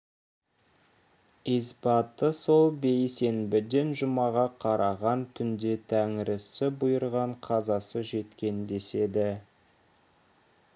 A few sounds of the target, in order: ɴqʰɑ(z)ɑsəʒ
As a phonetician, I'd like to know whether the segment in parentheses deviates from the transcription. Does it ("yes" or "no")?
no